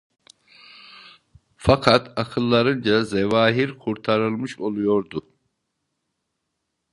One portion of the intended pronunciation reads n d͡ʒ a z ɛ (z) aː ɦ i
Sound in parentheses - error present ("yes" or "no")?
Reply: yes